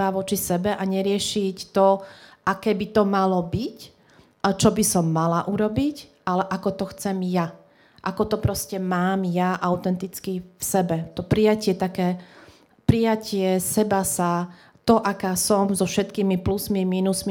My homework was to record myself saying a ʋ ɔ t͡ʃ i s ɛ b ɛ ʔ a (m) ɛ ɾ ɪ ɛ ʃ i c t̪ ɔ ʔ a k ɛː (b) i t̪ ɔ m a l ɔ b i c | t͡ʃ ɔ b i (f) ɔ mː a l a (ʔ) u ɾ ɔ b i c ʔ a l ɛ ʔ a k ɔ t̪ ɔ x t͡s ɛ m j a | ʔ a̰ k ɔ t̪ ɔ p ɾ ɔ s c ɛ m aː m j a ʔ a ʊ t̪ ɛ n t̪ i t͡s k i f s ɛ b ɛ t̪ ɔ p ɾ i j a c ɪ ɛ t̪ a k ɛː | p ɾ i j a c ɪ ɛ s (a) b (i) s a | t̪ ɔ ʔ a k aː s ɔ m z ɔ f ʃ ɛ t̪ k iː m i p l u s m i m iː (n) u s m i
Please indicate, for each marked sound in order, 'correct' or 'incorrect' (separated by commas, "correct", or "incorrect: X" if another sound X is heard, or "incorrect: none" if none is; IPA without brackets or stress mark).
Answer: incorrect: ɲ, correct, incorrect: s, correct, incorrect: ɛ, incorrect: a, correct